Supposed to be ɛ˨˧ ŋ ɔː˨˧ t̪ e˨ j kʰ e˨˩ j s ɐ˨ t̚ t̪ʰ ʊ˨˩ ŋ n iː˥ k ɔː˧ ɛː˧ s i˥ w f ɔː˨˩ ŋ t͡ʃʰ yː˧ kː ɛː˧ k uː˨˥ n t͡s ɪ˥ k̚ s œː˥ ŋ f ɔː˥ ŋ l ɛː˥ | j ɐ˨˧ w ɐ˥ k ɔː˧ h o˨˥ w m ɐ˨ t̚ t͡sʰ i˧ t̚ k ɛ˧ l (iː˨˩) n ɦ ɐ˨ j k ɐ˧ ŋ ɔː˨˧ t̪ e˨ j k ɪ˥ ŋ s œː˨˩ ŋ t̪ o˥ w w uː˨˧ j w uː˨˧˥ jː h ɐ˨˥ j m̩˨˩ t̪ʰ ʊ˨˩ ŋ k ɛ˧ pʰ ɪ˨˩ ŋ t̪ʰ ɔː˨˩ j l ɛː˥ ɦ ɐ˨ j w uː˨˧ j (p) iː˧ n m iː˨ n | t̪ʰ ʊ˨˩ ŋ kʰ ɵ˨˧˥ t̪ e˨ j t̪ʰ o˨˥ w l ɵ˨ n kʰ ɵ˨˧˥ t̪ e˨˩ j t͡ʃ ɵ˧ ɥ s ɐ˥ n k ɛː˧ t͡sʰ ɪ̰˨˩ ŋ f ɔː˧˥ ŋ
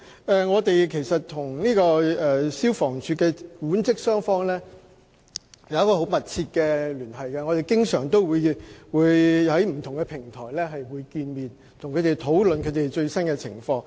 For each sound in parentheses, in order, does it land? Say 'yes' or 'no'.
no, no

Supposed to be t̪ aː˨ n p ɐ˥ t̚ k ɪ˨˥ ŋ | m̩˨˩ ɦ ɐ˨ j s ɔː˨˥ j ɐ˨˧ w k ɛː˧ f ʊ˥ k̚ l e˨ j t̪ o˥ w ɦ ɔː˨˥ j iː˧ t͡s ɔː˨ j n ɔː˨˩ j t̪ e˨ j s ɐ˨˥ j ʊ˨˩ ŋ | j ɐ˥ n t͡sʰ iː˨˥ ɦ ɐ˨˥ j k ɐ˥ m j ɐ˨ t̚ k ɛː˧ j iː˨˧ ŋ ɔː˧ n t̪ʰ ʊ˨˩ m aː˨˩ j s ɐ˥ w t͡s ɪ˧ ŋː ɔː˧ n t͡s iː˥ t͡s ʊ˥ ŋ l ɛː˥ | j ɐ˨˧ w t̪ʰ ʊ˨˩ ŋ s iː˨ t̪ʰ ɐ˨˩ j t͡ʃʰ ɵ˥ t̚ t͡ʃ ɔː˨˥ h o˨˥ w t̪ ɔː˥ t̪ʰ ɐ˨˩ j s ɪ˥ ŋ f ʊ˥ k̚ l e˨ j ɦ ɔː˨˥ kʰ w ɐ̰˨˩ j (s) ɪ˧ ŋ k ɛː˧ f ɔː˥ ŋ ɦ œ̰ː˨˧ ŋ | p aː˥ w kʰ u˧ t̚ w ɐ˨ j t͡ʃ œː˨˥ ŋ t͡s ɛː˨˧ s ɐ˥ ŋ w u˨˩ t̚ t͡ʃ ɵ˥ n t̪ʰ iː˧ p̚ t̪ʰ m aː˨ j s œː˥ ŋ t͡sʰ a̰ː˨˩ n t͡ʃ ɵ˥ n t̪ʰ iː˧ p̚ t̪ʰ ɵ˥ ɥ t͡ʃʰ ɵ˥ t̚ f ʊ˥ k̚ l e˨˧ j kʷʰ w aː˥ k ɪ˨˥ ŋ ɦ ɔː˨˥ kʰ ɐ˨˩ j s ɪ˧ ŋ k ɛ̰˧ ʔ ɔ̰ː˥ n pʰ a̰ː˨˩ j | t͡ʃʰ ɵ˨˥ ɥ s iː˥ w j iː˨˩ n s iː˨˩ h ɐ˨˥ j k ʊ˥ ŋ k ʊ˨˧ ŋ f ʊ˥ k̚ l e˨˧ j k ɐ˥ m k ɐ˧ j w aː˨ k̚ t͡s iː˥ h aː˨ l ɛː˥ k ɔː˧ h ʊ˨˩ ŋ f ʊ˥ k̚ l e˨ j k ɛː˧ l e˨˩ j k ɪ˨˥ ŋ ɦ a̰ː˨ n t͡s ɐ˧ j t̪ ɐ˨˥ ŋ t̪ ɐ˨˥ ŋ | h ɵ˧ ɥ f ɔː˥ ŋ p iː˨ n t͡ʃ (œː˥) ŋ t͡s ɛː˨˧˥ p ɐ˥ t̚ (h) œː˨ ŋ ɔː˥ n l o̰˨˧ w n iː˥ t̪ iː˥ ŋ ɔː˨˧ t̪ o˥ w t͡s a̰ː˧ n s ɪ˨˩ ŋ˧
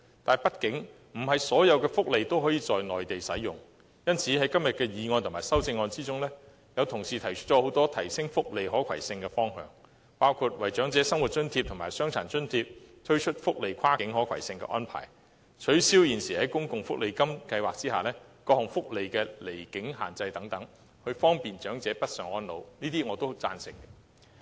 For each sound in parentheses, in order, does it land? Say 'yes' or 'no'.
yes, no, no

